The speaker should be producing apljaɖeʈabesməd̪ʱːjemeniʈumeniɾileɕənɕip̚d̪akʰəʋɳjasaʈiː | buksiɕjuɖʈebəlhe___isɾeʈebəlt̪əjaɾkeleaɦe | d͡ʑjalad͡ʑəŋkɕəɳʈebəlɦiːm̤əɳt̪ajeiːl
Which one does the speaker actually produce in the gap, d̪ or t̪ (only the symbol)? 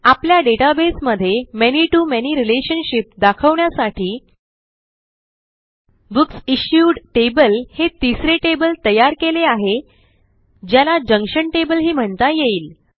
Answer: t̪